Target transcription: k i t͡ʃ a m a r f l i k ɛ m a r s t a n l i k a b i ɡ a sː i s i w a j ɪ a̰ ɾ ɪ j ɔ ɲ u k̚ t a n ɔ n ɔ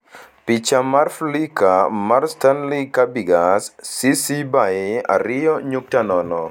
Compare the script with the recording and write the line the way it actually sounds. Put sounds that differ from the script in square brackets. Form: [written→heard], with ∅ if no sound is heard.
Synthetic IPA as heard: [k→p] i t͡ʃ a m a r f l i k [ɛ→a] m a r s t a n l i k a b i ɡ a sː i s i [w→b] a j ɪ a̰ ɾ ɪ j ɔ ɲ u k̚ t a n ɔ n ɔ